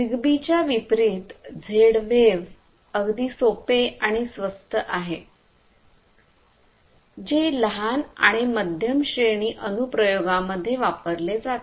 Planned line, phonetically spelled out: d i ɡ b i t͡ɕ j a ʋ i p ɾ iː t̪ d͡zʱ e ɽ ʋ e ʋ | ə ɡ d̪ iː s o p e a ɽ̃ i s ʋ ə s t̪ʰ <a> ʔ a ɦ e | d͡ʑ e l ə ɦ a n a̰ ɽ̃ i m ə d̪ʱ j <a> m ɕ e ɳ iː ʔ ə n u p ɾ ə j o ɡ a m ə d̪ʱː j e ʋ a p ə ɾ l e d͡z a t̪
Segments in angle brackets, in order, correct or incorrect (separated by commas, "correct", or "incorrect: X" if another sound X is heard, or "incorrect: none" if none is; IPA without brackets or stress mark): incorrect: ə, incorrect: ə